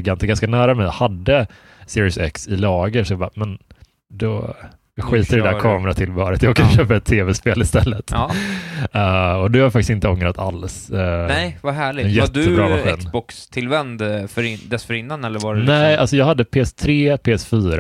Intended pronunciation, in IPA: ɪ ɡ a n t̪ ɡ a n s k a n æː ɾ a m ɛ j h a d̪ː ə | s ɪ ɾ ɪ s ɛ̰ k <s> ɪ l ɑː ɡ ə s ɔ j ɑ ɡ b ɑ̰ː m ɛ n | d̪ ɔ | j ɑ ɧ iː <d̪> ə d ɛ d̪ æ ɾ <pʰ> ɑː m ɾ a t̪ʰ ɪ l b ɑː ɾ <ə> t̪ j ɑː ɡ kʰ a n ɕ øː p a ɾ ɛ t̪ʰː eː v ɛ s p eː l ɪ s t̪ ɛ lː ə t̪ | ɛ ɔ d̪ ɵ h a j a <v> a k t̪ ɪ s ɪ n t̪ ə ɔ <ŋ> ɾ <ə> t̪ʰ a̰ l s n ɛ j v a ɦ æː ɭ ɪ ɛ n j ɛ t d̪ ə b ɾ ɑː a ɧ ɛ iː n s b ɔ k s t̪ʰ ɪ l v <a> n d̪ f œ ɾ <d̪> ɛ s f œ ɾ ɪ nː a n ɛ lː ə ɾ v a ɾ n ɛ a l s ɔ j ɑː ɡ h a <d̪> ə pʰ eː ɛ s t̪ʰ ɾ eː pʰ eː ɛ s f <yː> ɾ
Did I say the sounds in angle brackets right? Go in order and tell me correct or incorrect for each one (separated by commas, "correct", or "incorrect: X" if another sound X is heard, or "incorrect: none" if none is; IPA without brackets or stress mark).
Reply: correct, incorrect: t̪, incorrect: kʰ, correct, incorrect: f, correct, incorrect: a, incorrect: ɛ, correct, incorrect: d̪ː, correct